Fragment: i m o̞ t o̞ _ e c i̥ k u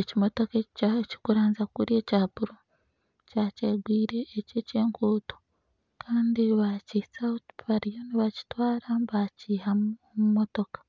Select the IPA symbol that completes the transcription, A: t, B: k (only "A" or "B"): B